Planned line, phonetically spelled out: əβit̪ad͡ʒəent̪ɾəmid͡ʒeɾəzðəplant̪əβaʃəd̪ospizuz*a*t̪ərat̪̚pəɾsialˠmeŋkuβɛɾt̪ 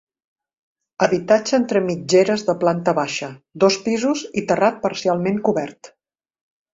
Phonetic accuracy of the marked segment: incorrect: i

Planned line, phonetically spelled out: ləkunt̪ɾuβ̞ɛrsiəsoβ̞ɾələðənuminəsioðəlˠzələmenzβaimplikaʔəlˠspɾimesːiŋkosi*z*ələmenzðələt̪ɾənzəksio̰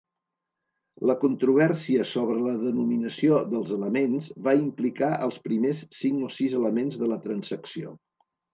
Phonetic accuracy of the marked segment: correct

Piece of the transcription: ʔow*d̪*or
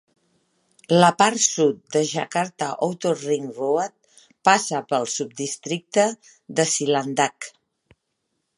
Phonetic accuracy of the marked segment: incorrect: t̪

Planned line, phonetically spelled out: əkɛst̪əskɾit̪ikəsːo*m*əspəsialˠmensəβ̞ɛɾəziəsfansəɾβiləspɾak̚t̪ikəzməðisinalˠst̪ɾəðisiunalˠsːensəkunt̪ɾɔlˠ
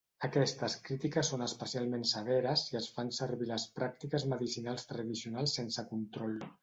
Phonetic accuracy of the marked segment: incorrect: n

